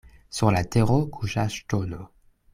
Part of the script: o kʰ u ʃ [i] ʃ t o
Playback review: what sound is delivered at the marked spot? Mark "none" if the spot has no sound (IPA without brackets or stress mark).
a